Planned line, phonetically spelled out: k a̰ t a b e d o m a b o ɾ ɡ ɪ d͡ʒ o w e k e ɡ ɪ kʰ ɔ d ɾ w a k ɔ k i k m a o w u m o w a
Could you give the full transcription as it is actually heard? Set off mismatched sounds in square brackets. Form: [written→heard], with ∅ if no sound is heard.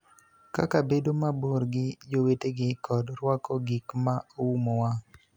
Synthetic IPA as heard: k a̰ [t→k] a b e d o m a b o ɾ ɡ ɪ d͡ʒ o w e [k→t] e ɡ ɪ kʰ ɔ d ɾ w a k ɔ [k→ɡ] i k m a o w u m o w a